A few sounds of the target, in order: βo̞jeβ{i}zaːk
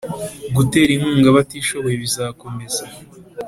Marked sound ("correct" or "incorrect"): correct